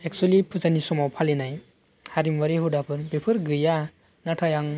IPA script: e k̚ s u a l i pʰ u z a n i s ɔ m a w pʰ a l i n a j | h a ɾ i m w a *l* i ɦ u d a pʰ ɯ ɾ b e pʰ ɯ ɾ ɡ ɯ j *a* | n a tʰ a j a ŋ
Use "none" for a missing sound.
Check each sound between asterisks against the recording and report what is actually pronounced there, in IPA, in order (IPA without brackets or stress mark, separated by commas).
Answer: ɾ, a